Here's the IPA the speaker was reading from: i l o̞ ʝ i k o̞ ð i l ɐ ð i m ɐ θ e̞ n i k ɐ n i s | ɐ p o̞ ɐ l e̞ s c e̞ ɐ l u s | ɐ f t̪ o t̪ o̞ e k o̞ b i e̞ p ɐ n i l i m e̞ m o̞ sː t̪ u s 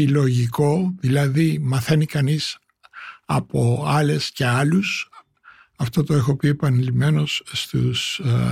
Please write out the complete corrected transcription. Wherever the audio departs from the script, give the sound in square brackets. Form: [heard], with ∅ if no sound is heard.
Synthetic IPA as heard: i l o̞ ʝ i k o̞ ð i l ɐ ð i m ɐ θ e̞ n i k ɐ n i s | ɐ p o̞ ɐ l e̞ s c e̞ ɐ l u s | ɐ f t̪ o t̪ o̞ e [x] o̞ [p] i e̞ p ɐ n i l i m e̞ [n] o̞ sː t̪ u s